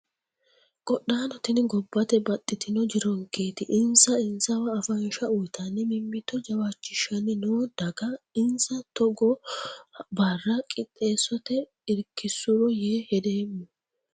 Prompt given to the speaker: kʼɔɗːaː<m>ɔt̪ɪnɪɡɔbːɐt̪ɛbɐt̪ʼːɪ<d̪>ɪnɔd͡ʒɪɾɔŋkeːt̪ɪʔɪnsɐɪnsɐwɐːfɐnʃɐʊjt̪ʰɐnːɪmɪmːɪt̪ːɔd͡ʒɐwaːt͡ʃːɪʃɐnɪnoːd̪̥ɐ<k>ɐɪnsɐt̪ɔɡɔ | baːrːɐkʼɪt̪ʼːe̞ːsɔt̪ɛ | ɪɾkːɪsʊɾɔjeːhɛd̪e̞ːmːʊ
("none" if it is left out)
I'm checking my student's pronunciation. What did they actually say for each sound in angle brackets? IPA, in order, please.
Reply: n, t̪, ɡ

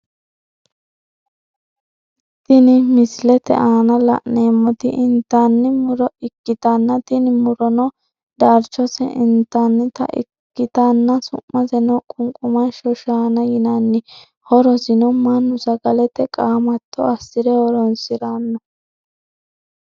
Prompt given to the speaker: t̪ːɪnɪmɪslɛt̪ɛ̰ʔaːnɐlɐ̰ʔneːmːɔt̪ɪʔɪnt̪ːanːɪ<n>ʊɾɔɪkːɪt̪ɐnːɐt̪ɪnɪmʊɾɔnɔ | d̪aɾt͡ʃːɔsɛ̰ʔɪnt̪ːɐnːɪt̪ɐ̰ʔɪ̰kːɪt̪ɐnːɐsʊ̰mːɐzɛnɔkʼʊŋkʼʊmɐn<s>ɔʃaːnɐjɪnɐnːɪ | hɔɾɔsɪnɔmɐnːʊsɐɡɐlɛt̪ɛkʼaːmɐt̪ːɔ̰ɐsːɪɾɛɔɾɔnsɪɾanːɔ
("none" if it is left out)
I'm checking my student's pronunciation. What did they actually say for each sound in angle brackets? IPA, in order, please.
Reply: m, ʃ

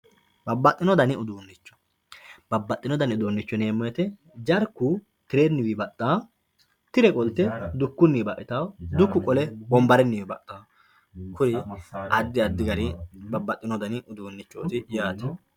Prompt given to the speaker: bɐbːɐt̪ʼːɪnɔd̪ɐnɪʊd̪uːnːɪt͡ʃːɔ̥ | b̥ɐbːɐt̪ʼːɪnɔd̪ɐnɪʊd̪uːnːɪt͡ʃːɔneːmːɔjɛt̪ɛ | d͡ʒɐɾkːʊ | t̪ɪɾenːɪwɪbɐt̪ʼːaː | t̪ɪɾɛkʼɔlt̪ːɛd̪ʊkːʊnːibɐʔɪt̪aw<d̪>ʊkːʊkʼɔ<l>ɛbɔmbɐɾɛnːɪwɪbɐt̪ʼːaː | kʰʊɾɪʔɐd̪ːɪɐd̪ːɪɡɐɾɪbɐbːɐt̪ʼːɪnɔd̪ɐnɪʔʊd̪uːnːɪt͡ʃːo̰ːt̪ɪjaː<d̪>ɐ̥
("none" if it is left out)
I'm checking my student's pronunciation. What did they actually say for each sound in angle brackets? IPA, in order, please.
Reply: d̪, l, t̪

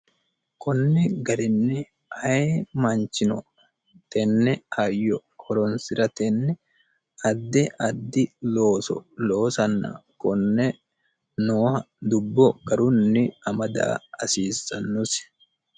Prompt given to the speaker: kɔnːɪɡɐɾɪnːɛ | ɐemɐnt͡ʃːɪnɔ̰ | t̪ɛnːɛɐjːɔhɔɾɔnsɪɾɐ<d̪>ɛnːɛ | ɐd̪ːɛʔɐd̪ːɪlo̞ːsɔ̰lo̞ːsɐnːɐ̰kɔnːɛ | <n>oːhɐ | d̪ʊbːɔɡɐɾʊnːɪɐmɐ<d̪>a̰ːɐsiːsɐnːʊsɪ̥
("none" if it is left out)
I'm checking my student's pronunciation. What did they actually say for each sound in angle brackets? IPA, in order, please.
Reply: t̪, n, d̪

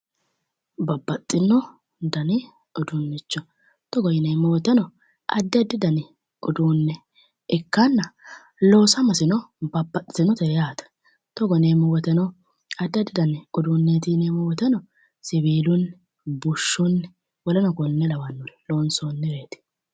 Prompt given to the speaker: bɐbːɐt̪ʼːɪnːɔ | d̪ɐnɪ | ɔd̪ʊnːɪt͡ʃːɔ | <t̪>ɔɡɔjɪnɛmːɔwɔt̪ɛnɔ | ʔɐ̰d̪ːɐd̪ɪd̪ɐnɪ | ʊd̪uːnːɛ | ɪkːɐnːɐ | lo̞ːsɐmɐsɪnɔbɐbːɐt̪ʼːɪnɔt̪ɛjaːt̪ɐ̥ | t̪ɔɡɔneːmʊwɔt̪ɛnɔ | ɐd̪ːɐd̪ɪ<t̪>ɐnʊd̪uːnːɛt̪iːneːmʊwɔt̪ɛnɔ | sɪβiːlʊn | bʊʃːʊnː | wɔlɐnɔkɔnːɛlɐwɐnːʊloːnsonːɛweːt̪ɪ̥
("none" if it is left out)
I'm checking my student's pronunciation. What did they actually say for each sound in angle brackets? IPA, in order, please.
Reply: t̪, d̪

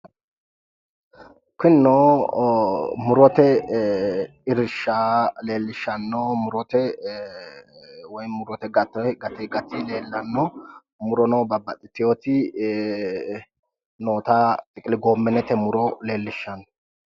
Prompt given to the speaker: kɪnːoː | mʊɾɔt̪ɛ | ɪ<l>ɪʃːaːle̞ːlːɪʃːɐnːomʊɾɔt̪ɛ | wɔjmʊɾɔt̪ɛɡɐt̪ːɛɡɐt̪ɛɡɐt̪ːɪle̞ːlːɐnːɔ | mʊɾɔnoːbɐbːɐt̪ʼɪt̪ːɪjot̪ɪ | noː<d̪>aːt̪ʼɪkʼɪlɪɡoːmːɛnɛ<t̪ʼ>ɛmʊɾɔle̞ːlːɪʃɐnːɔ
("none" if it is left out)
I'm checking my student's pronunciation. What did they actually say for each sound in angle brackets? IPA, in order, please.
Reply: ɾ, t̪, t̪

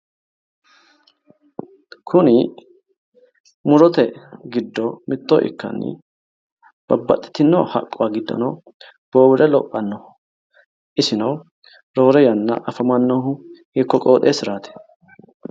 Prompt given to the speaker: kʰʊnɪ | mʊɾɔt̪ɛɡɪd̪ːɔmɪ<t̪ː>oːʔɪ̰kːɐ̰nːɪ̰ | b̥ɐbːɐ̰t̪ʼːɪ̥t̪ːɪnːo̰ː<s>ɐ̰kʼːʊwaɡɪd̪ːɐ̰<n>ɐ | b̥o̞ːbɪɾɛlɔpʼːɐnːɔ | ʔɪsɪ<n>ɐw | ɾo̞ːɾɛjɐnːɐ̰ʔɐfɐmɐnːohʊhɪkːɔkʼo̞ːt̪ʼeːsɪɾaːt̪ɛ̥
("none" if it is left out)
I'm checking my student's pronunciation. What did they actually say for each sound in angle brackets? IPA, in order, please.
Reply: t̪ː, h, n, n

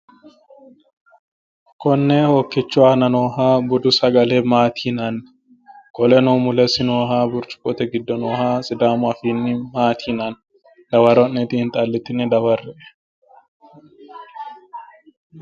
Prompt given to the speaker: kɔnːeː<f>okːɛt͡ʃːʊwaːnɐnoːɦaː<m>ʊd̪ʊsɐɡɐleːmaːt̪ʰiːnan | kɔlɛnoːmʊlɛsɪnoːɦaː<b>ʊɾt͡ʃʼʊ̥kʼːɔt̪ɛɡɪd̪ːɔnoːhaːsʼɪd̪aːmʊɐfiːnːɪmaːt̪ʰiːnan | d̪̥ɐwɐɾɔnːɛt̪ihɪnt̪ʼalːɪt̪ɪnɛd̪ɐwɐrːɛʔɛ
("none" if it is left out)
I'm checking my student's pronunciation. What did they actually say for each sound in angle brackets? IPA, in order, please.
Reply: h, b, b

